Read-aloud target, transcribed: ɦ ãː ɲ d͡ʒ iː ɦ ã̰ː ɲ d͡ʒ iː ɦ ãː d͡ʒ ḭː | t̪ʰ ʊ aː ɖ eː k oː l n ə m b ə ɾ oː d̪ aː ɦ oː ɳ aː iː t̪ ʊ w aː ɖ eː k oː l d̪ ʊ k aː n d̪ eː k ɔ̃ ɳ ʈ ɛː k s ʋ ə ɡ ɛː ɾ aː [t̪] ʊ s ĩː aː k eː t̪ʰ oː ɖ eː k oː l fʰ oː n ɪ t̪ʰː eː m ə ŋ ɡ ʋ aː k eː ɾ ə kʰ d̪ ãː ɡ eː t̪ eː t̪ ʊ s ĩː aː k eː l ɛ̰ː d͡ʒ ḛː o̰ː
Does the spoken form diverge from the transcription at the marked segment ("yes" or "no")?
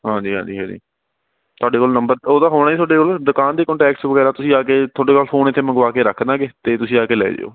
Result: no